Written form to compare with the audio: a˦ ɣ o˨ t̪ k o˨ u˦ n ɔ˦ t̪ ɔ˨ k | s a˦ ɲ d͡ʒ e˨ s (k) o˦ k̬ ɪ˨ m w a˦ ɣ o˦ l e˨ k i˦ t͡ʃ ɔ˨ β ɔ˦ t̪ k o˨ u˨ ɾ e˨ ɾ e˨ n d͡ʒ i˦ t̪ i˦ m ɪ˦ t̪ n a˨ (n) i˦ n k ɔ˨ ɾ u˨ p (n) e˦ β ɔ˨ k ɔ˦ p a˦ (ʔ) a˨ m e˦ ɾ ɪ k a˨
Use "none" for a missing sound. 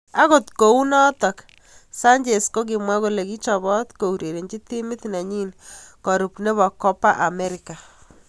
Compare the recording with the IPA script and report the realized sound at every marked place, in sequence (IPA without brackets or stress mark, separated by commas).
k, ɲ, n, ʔ